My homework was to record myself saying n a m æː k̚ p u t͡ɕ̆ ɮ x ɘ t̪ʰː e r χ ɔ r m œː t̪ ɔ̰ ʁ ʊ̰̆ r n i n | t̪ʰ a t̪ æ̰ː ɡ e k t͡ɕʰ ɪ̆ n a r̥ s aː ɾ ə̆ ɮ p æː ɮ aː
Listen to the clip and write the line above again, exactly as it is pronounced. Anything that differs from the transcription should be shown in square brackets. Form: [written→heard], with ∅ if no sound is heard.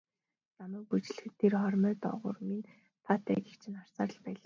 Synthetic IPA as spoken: n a m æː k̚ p u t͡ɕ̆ ɮ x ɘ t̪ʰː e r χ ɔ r m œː t̪ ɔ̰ ʁ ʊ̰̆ r [n→m] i n | t̪ʰ a t̪ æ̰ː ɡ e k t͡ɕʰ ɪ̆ n a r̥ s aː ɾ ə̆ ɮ p æː ɮ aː